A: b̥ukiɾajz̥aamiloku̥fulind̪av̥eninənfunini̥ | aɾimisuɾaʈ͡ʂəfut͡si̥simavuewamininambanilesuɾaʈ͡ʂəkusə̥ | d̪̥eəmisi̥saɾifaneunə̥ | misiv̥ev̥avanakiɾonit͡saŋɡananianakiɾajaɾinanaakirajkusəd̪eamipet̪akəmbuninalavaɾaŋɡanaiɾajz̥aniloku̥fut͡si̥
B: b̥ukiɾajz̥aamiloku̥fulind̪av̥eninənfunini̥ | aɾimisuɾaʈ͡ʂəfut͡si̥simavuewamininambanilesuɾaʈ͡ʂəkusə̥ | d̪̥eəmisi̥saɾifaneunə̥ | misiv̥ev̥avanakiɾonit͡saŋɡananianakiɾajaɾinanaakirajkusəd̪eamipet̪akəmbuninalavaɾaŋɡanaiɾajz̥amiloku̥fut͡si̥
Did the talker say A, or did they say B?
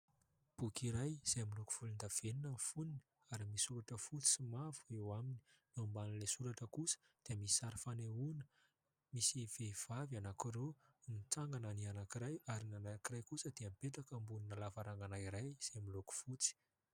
B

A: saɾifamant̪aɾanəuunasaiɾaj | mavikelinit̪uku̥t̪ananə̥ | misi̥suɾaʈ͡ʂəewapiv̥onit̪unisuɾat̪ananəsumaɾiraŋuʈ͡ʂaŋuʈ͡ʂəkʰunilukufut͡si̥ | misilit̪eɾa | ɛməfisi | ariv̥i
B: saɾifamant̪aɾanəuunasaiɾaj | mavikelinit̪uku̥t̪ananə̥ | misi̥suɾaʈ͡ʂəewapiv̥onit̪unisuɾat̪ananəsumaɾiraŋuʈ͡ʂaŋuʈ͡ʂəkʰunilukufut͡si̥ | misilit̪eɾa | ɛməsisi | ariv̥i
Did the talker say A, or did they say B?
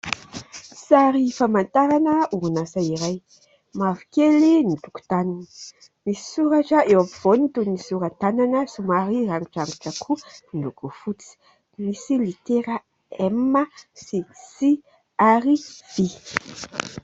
B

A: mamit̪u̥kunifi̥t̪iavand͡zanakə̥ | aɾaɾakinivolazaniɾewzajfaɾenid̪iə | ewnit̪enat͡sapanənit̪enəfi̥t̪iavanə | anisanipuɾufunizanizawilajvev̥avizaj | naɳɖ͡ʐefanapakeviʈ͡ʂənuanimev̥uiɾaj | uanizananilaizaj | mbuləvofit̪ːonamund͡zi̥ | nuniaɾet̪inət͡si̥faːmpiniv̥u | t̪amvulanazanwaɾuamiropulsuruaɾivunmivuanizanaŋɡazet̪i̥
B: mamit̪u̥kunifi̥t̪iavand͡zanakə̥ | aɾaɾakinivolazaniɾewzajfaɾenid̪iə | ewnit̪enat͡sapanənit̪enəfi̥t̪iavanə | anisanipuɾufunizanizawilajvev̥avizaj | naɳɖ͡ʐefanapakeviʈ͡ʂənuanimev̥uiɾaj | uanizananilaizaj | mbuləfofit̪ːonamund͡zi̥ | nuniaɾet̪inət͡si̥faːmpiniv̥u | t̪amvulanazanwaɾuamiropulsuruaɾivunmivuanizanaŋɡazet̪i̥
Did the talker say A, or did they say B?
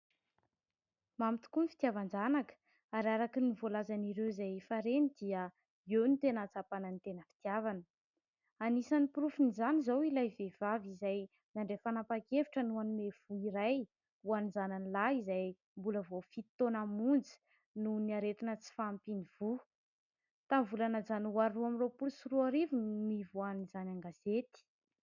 A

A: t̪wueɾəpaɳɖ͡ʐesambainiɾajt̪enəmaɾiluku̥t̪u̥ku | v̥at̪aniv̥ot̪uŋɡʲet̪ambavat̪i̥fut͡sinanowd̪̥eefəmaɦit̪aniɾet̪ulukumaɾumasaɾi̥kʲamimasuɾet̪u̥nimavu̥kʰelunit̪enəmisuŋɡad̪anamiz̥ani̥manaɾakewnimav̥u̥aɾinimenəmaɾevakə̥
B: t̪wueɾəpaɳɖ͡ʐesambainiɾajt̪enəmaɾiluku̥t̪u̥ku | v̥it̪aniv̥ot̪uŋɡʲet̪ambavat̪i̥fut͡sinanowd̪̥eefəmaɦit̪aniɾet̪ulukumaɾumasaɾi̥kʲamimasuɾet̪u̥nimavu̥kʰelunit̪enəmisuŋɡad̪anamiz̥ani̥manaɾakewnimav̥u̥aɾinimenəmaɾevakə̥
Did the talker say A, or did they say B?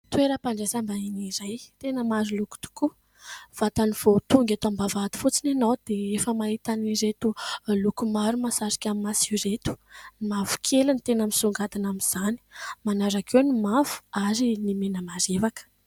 A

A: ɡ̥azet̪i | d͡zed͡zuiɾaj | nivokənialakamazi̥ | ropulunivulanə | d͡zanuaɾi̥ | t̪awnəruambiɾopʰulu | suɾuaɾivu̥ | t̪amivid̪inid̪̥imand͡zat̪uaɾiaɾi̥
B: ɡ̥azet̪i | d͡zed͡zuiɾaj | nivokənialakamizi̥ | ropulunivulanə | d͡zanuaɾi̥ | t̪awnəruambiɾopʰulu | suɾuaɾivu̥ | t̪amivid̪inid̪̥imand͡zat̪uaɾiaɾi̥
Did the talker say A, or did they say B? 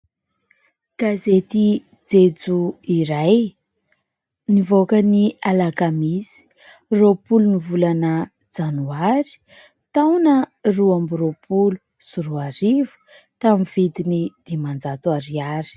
B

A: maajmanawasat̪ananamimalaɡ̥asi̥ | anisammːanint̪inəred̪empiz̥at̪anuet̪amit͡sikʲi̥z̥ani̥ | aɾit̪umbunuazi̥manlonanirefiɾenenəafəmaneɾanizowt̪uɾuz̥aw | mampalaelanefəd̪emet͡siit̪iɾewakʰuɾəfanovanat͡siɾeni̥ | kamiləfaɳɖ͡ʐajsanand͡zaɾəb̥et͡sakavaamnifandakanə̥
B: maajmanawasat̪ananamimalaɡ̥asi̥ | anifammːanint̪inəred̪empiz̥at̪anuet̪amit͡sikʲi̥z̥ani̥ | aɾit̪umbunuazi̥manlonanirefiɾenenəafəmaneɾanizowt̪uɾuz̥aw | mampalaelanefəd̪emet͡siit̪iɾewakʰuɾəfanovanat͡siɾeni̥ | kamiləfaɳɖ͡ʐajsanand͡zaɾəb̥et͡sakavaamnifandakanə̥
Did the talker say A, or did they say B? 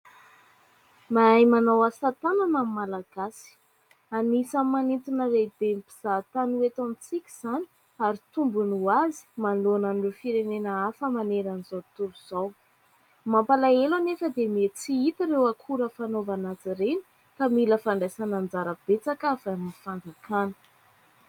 A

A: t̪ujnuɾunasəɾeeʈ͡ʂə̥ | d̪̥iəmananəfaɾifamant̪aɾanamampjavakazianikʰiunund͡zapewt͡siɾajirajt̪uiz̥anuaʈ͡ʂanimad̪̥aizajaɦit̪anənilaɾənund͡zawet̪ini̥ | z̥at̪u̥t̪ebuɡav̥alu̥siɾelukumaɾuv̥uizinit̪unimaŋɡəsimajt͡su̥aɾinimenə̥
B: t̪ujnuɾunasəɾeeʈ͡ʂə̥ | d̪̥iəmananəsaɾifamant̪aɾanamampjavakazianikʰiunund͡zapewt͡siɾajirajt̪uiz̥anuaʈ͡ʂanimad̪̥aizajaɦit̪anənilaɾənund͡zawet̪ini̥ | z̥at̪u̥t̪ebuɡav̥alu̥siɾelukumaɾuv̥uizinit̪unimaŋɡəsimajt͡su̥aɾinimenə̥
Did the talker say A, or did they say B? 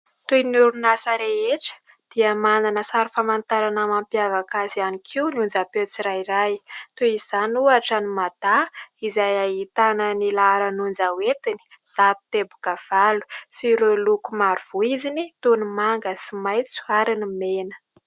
B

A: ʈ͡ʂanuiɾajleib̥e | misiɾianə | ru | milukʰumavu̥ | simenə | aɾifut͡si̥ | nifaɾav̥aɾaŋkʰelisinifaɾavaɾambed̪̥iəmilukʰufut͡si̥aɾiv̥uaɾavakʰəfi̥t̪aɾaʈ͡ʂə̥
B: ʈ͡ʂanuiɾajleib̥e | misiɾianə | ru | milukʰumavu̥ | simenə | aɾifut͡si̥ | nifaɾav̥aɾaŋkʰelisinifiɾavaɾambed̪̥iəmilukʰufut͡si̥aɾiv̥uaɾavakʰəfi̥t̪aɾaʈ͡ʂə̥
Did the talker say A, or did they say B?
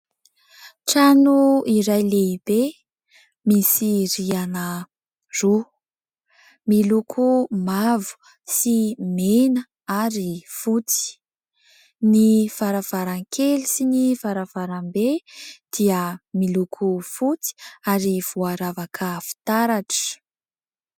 A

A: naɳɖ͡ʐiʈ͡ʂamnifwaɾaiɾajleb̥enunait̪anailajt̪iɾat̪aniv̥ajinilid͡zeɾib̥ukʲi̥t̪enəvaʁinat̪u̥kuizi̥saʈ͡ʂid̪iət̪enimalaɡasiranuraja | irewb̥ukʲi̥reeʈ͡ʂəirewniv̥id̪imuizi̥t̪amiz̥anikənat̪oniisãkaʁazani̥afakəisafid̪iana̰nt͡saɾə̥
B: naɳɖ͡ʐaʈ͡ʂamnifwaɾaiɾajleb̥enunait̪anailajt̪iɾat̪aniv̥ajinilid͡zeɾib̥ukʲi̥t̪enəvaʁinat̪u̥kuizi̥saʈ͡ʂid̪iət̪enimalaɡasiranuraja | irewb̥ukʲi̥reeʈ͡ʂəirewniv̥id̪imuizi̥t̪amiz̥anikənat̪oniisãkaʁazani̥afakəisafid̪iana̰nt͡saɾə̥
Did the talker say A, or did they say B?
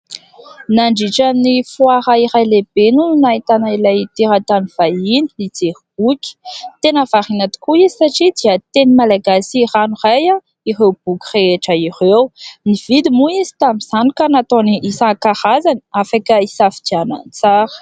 A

